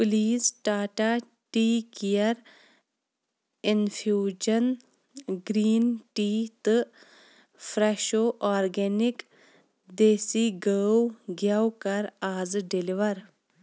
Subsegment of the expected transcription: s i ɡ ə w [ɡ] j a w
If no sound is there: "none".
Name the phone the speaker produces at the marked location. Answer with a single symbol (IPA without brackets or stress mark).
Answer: ɡ